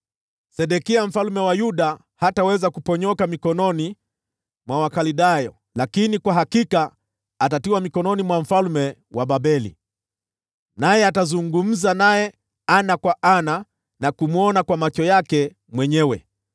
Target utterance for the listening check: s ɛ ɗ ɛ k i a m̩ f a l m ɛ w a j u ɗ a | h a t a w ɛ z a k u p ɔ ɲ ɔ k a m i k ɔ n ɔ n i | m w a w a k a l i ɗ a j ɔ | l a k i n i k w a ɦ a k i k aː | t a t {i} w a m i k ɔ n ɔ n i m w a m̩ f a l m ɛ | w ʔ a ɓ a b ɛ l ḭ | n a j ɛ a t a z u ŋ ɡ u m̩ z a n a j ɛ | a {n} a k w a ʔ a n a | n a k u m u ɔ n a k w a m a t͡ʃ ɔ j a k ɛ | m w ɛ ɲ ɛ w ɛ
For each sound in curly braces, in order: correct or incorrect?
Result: correct, correct

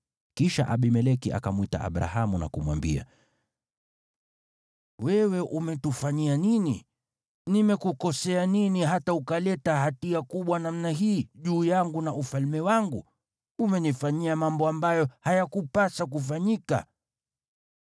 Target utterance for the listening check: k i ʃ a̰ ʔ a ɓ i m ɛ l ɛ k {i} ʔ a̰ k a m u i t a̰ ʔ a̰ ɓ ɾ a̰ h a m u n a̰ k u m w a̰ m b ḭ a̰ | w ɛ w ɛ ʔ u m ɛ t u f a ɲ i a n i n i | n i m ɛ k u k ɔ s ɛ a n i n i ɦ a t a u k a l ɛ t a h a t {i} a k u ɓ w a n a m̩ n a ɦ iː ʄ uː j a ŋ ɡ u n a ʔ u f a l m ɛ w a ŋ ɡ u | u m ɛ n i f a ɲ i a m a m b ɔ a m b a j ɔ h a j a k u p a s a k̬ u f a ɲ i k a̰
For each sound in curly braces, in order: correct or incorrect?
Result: correct, correct

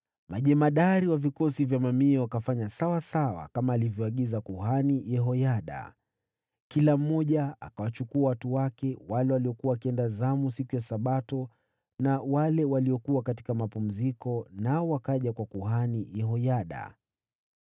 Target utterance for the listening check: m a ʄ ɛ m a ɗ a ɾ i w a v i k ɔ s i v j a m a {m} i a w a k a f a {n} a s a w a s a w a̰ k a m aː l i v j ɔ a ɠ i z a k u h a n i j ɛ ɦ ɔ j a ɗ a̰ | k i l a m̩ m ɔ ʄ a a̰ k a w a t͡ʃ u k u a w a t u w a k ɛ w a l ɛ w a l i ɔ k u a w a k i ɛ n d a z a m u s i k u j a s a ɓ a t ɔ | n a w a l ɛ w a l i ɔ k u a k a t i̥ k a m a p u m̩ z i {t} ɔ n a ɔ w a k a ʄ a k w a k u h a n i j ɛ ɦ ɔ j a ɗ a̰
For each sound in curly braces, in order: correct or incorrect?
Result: correct, incorrect: ɲ, incorrect: k

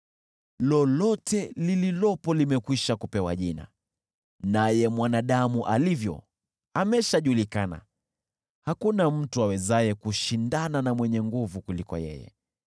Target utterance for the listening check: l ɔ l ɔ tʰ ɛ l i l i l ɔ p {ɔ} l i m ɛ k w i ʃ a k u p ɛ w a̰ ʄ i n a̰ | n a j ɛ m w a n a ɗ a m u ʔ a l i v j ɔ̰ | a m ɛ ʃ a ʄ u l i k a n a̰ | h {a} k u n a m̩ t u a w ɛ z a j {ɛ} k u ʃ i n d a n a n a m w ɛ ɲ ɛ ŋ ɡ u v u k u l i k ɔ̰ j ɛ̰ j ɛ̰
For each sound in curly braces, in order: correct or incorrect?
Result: correct, correct, correct

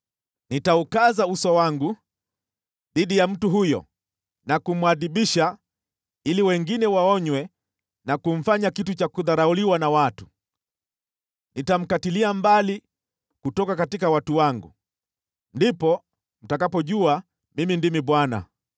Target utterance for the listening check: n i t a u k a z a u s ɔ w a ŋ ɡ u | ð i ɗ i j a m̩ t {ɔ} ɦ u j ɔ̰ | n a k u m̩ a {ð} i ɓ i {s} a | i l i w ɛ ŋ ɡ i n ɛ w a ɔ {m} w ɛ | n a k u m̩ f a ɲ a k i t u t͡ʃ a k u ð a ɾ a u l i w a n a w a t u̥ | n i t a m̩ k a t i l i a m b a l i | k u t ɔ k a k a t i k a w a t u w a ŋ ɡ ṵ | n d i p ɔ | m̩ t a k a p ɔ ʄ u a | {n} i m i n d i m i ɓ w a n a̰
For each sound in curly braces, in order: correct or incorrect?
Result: incorrect: u, correct, incorrect: ʃ, incorrect: ɲ, incorrect: m

